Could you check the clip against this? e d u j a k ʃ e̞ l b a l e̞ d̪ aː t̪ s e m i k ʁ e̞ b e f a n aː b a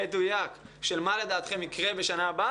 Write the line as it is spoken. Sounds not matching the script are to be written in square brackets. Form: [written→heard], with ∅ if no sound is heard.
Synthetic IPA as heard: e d u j a k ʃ e̞ l [b→m] a l e̞ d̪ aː t̪ [s→χ] e m i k ʁ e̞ b e [f→ʃ] a n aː b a

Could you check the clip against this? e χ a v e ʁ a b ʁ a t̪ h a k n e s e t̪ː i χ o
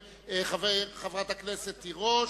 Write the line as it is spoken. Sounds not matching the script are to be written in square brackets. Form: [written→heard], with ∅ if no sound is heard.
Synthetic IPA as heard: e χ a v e [ʁ→χ] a [b→v] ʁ a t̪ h a k n e s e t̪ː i [χ→ʁ] o

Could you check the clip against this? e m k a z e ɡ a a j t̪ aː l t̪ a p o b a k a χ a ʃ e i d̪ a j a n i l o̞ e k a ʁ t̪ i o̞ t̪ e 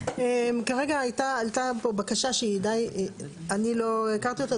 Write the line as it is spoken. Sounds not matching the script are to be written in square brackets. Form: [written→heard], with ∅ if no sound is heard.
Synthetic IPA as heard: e m k a [z→ʁ] e ɡ a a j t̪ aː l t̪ a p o b a k a [χ→ʃ] a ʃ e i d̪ a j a n i l o̞ e k a ʁ t̪ i o̞ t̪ [e→a]

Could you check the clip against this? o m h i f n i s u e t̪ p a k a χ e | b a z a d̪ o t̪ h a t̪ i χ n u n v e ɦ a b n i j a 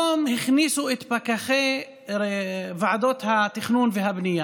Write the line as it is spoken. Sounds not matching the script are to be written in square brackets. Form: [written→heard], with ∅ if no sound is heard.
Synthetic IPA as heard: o m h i [f→χ] n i s u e t̪ p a k a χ e | [b→v] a [z→ʕ] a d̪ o t̪ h a t̪ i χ n u n v e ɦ a b n i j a

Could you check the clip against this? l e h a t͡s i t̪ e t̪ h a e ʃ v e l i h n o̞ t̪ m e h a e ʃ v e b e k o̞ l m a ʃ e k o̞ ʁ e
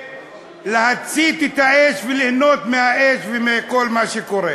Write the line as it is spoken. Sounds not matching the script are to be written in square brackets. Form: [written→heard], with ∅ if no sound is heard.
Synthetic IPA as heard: l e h a t͡s i t̪ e t̪ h a e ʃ v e l i h n o̞ t̪ m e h a e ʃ v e [b→m] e k o̞ l m a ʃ e k o̞ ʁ e

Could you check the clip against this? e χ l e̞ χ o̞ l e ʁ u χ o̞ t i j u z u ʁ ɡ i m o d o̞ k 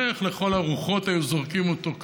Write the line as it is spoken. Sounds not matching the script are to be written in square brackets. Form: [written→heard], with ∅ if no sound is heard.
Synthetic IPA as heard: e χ l e̞ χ o̞ l [e→a] ʁ u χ o̞ t [i→a] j u z [u→o] ʁ [ɡ→k] i m o [d→t] o̞ k

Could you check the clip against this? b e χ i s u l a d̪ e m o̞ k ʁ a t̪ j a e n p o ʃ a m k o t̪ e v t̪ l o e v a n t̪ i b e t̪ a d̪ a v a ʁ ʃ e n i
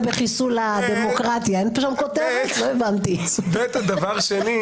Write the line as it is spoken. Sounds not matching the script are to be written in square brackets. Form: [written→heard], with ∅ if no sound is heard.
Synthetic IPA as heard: b e χ i s u l a d̪ e m o̞ k ʁ a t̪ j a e n p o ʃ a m k o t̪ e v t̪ l o e v a n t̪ i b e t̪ a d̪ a v a ʁ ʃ e n i

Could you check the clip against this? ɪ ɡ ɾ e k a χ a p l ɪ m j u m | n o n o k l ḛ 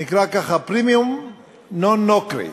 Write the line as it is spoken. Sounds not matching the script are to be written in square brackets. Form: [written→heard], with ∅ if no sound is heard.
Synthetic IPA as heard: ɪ [ɡ→k] ɾ [e→a] k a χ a p [l→ɾ] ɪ m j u m | n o n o k [l→ɾ] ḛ

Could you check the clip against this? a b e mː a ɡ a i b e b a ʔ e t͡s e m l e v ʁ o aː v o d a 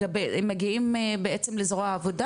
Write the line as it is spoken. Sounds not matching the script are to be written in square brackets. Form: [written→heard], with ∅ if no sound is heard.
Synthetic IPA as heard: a b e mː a ɡ [a→i] i [b→m] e b [a→e] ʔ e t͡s e m l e [v→z] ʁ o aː v o d a

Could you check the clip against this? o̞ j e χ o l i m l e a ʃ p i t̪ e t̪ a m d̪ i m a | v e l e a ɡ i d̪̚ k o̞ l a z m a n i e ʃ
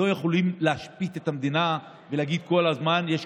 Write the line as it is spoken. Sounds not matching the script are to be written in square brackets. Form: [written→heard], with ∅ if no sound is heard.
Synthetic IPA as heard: o̞ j e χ o l i m l e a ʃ p i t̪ e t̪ a m d̪ i [m→n] a | v e l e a ɡ i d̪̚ k o̞ l a z m a n [i→j] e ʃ

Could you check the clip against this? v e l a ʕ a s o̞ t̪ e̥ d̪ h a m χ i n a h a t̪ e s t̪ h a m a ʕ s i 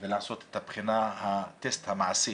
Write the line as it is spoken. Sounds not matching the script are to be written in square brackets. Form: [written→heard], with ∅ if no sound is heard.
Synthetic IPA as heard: v e l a ʕ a s o̞ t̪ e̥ [d̪→t̪] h a [m→b] χ i n a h a t̪ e s t̪ h a m a ʕ s i

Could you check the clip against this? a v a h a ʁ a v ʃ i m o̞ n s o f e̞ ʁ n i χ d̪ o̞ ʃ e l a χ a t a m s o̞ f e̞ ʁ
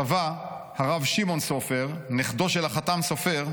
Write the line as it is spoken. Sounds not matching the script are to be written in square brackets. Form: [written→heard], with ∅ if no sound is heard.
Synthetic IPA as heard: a v a h a ʁ a v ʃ i m o̞ n s o f e̞ ʁ n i χ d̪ o̞ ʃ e l a χ a t a m s o̞ f e̞ ʁ

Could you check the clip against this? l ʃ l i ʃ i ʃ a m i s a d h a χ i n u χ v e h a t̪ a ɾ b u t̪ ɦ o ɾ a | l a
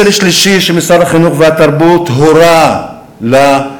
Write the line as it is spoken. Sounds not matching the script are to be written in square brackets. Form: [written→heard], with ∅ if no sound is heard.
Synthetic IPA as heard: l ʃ l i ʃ i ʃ [a→e] m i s a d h a χ i n u χ v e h a t̪ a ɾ b u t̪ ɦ o ɾ a | l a

